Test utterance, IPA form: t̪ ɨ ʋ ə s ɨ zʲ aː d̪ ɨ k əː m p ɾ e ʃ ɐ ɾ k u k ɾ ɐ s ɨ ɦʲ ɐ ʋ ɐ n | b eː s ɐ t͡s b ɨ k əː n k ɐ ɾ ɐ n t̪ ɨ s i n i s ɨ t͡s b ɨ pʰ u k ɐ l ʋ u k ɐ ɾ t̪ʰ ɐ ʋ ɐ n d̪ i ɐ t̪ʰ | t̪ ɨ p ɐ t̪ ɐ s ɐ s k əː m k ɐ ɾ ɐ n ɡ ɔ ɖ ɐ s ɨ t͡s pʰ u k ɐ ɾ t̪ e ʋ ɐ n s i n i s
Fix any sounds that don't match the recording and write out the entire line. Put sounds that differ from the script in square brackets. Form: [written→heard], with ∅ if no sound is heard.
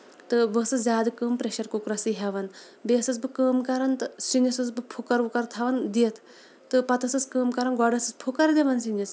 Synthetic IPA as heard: t̪ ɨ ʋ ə s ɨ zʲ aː d̪ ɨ k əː m p ɾ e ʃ ɐ ɾ k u k ɾ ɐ s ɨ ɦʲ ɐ ʋ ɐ n | b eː s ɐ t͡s b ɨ k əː [n→m] k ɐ ɾ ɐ n t̪ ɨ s i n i s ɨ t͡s b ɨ pʰ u k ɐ [l→ɾ] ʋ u k ɐ ɾ t̪ʰ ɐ ʋ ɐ n d̪ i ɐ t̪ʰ | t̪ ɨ p ɐ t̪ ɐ s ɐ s k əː m k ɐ ɾ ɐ n ɡ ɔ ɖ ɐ s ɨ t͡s pʰ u k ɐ ɾ [t̪→d̪] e ʋ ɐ n s i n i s

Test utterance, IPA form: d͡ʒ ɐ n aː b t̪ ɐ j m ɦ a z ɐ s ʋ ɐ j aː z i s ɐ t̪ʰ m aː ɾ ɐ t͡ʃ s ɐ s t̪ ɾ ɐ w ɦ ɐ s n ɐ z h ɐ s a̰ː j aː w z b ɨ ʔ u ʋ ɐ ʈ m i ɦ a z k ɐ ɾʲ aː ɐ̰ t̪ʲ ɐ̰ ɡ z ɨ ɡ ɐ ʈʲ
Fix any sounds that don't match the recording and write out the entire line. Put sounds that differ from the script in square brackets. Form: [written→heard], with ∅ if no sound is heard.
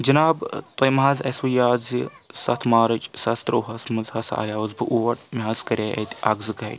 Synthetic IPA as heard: d͡ʒ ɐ n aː b t̪ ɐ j m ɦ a z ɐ s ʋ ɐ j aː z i s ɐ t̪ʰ m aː ɾ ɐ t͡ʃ s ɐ s t̪ ɾ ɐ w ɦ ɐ s [n→m] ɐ z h ɐ s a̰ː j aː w z b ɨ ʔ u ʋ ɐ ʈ m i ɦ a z k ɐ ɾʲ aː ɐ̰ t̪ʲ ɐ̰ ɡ z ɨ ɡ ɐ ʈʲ

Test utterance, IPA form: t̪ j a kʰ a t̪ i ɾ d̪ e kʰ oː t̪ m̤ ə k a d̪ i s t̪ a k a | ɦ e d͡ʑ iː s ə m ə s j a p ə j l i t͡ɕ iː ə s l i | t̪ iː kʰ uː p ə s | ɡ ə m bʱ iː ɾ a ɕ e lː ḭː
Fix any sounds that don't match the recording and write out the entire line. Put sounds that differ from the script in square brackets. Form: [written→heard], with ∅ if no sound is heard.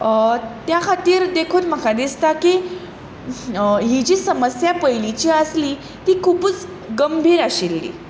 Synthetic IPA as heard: t̪ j a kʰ a t̪ [i→iː] ɾ d̪ e kʰ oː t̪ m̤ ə k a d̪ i s t̪ a k [a→i] | ɦ [e→i] d͡ʑ iː s ə m ə s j a p ə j l i t͡ɕ iː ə s l i | t̪ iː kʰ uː p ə [s→t͡s] | ɡ ə m bʱ iː ɾ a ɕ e lː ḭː

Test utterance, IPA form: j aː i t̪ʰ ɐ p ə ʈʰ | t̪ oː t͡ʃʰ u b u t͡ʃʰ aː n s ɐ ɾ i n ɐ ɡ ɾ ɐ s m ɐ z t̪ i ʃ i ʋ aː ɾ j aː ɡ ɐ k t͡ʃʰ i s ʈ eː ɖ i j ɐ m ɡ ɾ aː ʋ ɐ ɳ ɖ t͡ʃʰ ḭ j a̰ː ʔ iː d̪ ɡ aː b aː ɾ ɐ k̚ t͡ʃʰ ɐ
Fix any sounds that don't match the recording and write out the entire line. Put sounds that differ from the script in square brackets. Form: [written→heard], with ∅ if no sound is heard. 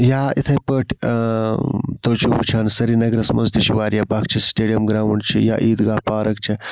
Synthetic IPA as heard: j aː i t̪ʰ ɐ p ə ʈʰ | t̪ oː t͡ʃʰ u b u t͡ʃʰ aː n s ɐ ɾ i n ɐ ɡ ɾ ɐ s m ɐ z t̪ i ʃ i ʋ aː ɾ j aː [ɡ→b] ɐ k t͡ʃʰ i s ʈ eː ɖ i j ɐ m ɡ ɾ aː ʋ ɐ ɳ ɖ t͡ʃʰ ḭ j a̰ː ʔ iː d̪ ɡ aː [b→p] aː ɾ ɐ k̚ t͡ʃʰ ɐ

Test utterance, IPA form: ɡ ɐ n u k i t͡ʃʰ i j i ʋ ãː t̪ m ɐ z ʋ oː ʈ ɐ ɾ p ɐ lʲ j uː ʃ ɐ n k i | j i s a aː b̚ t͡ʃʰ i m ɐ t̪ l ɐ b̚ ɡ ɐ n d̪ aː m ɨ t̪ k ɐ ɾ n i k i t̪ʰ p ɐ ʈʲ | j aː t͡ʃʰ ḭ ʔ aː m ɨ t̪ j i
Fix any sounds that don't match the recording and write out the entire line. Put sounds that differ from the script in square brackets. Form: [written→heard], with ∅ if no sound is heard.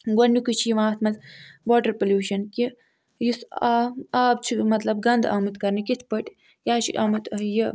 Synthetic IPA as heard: ɡ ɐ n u k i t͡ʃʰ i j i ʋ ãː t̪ m ɐ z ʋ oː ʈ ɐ ɾ p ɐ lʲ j uː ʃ ɐ n k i | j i s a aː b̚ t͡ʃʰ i m ɐ t̪ l ɐ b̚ ɡ ɐ n d̪ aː m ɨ t̪ k ɐ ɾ n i k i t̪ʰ p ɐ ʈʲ | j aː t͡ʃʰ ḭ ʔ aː m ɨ t̪ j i

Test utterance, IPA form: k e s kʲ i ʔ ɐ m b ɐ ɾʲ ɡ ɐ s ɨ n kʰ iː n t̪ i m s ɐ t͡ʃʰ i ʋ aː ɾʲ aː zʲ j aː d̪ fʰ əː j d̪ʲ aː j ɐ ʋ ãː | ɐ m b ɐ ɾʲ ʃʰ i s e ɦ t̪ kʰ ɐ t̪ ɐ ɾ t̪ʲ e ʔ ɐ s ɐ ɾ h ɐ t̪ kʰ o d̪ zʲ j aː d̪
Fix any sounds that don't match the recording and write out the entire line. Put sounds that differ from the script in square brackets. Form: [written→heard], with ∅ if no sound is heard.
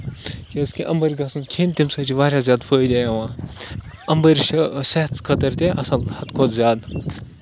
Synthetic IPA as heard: k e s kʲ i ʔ ɐ m b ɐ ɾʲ ɡ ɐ s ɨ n kʰ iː n t̪ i m s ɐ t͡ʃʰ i ʋ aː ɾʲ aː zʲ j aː d̪ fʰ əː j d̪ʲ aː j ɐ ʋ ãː | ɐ m b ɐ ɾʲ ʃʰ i s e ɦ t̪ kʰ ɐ t̪ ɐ ɾ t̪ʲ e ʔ ɐ s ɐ [ɾ→l] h ɐ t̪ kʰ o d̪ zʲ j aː d̪

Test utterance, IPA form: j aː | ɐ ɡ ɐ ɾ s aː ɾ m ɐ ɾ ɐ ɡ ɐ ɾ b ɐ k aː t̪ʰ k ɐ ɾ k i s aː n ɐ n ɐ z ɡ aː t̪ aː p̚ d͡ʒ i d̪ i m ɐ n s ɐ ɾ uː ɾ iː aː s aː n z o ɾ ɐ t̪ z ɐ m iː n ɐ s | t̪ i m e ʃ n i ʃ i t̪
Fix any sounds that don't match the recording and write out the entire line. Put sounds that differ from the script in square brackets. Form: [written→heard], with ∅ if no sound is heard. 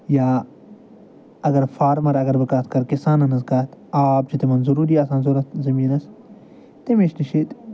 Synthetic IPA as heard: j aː | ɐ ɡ ɐ ɾ [s→f] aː ɾ m ɐ ɾ ɐ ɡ ɐ ɾ b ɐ k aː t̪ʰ k ɐ ɾ k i s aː n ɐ n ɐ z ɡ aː t̪ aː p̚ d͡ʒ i [d̪→t̪] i m ɐ n [s→z] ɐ ɾ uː ɾ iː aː s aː n z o ɾ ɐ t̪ z ɐ m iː n ɐ s | t̪ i m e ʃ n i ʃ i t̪

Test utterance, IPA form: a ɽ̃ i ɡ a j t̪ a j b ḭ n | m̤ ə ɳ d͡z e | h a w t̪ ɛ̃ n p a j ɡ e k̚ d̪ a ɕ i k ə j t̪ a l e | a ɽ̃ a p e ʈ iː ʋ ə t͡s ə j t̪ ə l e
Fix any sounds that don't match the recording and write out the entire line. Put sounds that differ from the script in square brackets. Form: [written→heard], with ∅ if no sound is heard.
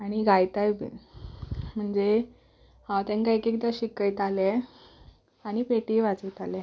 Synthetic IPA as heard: a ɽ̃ i ɡ a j t̪ a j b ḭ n | m̤ ə ɳ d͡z e | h a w t̪ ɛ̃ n [p→k] a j [ɡ→k] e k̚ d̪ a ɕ i k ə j t̪ a l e | a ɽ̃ [a→i] p e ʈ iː ʋ [ə→a] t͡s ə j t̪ [ə→a] l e

